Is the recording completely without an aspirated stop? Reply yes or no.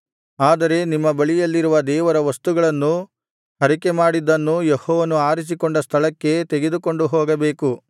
no